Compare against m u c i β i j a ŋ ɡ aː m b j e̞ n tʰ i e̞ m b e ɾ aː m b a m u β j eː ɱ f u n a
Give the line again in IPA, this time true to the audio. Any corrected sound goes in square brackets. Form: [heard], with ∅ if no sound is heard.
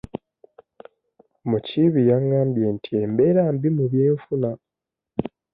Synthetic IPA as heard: m u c i β i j a ŋ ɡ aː m b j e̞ n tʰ i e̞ m b e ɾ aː m b [i] m u β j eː ɱ f u n a